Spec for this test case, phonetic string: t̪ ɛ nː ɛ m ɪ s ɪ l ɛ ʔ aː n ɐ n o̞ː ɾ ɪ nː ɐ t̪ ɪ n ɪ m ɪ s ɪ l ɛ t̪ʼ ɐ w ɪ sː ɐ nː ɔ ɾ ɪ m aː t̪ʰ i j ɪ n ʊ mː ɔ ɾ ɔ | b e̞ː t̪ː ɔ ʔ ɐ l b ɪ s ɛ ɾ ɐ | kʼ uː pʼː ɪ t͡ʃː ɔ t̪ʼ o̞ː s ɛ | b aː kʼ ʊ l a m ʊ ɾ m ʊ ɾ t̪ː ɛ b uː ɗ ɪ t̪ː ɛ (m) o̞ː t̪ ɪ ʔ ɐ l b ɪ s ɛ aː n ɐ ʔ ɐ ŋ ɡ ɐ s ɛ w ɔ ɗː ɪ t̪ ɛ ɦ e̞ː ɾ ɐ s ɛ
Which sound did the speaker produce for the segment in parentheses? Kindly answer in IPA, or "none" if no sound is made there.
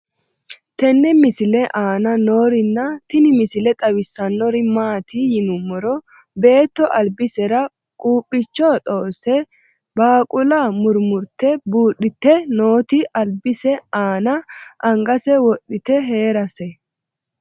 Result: n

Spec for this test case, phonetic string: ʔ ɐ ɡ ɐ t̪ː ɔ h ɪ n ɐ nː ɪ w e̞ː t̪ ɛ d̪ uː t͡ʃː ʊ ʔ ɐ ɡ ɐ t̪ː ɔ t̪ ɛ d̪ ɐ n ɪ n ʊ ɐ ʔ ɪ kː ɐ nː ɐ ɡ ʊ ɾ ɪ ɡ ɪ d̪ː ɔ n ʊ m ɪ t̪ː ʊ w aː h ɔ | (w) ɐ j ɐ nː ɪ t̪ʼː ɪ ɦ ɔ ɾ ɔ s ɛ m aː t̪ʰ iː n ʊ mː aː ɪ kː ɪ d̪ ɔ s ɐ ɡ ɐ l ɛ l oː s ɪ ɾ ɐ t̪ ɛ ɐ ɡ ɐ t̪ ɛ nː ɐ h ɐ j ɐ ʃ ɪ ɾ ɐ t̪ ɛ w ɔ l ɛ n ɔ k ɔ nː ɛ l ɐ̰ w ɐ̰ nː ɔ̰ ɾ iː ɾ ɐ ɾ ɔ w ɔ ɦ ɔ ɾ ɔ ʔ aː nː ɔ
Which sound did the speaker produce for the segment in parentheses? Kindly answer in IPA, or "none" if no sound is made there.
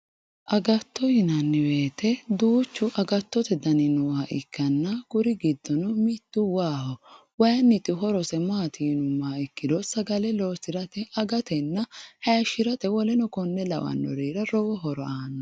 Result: w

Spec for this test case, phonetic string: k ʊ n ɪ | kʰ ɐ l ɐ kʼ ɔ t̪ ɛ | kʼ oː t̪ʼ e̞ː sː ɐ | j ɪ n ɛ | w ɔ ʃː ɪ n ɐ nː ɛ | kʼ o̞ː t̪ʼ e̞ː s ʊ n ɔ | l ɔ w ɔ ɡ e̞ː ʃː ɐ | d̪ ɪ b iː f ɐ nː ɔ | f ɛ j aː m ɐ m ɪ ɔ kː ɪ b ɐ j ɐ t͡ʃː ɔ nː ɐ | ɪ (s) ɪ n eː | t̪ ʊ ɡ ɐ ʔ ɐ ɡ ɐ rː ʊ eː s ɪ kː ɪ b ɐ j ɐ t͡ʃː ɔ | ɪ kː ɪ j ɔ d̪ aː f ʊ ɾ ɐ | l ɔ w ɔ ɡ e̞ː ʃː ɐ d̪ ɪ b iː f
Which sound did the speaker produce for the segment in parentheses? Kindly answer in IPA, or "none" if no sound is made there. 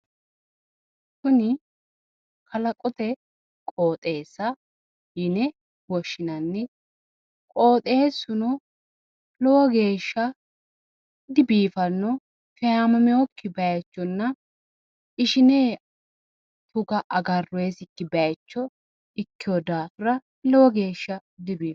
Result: ʃ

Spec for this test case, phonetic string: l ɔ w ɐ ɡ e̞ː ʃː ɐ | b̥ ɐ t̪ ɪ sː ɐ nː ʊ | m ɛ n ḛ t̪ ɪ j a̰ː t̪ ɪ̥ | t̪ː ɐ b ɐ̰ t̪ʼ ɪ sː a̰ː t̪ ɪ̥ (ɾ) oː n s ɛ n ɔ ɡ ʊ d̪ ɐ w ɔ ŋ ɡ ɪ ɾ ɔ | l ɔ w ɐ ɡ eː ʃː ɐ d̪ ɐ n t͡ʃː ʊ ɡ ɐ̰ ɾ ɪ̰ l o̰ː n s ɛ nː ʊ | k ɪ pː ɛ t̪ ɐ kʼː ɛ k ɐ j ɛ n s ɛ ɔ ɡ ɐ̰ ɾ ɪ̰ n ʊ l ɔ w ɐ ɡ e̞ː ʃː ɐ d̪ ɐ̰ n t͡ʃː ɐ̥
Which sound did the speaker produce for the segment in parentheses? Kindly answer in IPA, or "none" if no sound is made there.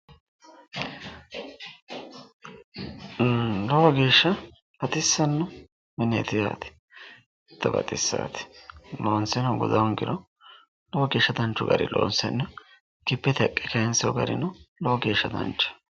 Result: l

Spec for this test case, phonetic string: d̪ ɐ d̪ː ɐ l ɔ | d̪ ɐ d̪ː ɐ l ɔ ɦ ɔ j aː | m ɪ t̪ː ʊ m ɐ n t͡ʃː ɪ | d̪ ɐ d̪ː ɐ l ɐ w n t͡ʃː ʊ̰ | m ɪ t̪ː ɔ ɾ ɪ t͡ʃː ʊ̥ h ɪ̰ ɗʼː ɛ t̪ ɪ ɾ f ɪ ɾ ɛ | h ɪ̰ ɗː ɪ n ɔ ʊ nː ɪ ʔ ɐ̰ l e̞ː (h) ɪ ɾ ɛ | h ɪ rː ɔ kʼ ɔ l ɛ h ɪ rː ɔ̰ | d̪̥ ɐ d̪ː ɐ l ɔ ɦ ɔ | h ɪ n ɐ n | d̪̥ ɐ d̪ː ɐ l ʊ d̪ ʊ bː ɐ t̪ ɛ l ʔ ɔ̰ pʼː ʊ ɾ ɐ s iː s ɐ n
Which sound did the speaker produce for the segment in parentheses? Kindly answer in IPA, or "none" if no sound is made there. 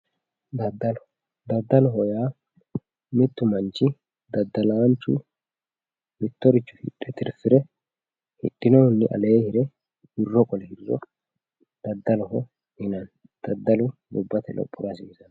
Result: h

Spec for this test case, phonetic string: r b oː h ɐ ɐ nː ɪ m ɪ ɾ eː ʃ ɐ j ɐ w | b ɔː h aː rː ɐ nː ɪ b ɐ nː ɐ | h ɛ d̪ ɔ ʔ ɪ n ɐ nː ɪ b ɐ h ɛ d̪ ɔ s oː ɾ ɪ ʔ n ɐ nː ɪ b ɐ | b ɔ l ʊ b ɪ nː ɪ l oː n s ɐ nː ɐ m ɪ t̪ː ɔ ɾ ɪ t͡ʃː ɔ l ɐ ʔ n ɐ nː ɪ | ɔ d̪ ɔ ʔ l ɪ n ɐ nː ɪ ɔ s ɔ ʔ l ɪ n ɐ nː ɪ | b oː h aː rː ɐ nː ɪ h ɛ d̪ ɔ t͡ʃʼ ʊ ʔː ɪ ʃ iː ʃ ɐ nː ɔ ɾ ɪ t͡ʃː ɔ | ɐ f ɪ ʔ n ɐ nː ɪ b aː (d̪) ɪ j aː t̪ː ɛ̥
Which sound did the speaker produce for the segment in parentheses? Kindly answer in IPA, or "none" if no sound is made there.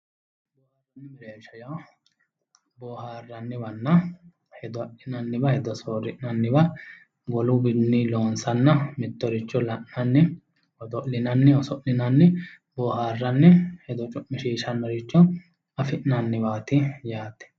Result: t̪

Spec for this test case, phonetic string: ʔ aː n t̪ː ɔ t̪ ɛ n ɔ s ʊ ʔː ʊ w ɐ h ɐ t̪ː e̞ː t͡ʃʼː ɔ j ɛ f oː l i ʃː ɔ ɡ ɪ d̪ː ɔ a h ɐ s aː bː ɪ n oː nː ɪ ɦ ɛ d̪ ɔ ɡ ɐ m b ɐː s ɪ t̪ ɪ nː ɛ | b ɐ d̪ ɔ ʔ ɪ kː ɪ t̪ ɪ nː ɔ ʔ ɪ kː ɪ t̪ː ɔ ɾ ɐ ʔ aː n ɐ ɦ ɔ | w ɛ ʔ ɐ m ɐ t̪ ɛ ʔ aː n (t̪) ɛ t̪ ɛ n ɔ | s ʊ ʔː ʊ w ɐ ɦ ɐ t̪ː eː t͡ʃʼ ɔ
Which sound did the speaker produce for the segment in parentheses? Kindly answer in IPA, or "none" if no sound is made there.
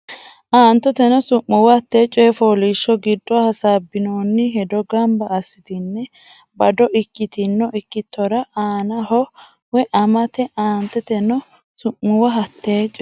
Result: t̪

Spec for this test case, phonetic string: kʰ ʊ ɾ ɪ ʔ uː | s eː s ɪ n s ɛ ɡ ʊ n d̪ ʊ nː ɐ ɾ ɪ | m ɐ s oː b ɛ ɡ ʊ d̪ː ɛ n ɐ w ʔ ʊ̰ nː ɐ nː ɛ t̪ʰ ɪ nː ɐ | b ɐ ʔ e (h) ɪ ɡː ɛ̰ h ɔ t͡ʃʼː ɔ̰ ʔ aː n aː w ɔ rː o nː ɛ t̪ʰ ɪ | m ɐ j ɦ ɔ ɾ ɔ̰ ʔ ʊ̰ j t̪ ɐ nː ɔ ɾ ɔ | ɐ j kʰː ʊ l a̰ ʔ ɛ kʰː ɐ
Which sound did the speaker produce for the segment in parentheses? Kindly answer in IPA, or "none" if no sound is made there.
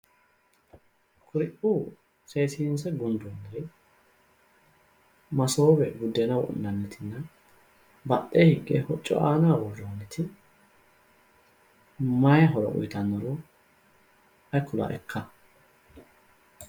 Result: h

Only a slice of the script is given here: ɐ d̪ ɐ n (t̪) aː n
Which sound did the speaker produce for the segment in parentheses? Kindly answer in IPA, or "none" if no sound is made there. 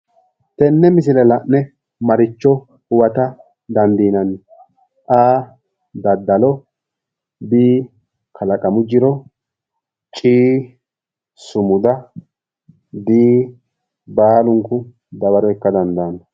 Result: d̪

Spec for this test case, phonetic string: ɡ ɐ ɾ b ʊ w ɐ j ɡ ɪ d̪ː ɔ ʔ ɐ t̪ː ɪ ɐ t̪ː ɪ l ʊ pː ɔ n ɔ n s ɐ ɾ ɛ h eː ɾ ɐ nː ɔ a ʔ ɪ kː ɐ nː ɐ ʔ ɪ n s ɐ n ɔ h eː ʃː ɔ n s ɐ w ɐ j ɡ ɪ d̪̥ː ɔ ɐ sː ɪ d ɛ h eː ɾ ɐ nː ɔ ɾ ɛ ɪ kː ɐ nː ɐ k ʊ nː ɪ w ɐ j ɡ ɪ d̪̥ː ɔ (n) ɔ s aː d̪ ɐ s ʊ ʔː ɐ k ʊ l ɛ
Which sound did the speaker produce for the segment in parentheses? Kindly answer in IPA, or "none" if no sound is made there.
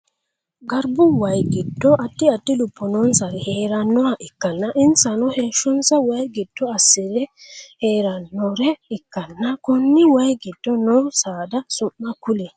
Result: n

